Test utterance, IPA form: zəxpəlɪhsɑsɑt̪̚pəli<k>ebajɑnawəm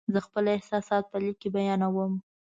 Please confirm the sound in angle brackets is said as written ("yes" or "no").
yes